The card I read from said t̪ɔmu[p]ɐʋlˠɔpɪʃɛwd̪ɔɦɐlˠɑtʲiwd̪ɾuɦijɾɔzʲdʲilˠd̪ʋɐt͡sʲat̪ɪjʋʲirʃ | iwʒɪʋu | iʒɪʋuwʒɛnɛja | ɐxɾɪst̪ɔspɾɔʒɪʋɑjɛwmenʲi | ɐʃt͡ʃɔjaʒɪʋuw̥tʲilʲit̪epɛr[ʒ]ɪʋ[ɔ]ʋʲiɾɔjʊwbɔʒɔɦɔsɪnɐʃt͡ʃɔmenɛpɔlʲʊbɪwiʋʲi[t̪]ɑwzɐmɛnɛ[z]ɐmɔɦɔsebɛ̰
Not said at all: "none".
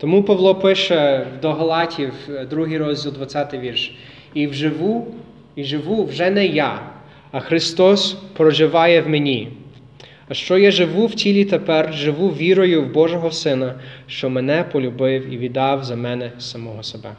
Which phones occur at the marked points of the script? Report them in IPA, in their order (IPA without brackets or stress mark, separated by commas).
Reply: p, ʒ, u, d̪, s